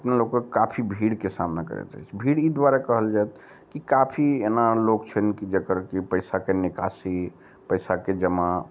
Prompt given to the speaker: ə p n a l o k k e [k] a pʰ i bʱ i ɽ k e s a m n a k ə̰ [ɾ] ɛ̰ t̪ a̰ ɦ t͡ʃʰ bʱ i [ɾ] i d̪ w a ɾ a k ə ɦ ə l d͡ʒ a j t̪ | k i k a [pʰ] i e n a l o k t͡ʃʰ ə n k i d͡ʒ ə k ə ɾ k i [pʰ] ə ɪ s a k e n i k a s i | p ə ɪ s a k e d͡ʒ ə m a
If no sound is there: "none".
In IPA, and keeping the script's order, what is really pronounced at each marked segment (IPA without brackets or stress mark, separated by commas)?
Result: k, ɾ, ɽ, pʰ, p